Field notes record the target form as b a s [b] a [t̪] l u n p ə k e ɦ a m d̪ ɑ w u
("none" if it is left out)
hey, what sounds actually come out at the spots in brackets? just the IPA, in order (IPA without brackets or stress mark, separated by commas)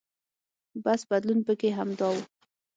b, d̪